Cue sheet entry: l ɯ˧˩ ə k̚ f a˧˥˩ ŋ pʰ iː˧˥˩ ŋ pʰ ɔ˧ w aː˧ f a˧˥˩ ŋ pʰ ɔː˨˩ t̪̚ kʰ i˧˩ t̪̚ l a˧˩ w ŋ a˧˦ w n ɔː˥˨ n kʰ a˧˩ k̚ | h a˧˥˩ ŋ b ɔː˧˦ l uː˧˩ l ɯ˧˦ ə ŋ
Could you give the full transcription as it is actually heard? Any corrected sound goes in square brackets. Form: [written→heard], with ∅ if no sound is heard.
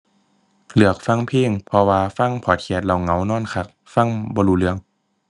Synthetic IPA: l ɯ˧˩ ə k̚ f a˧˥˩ ŋ pʰ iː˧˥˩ ŋ pʰ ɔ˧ w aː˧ f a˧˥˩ ŋ pʰ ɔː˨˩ t̪̚ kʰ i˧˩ t̪̚ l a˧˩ w ŋ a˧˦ w n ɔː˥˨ n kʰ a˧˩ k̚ | [h→f] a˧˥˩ ŋ b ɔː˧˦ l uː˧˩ l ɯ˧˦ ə ŋ

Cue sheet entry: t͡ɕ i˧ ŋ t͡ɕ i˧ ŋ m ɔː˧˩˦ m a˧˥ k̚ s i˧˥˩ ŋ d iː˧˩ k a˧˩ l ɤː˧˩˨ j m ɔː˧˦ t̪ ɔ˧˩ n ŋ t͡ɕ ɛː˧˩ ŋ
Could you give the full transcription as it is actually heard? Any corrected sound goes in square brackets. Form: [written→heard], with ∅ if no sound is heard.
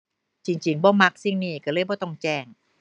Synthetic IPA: t͡ɕ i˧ ŋ t͡ɕ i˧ ŋ [m→b] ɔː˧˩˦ m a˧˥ k̚ s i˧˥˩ ŋ [d→n] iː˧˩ k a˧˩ l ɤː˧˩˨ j [m→b] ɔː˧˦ t̪ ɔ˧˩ [n→∅] ŋ t͡ɕ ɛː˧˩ ŋ

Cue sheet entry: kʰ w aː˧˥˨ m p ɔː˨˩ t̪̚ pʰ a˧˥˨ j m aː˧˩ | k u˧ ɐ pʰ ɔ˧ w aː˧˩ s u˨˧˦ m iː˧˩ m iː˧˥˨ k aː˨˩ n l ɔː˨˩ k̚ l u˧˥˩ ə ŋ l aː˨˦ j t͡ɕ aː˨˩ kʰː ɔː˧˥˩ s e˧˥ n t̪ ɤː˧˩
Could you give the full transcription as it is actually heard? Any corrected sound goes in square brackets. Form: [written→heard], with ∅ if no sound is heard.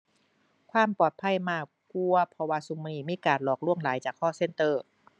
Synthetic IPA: kʰ w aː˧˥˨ m p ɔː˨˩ t̪̚ pʰ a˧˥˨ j m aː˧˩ | k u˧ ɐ pʰ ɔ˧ w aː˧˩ s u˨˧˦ m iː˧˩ m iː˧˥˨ k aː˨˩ n l ɔː˨˩ k̚ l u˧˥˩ ə ŋ l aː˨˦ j t͡ɕ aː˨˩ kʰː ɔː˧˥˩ s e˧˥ n t̪ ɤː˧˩

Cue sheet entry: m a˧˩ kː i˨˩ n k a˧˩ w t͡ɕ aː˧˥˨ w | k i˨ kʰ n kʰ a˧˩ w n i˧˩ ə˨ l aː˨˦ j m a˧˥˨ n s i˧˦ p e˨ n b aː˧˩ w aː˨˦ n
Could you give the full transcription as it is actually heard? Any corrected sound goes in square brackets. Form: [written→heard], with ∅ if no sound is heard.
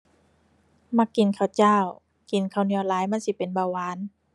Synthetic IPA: m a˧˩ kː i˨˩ n [k→kʰ] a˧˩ w t͡ɕ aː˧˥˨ w | k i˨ [kʰ→∅] n kʰ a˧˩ w n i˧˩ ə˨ l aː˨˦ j m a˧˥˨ n s i˧˦ p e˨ n b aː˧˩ w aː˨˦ n

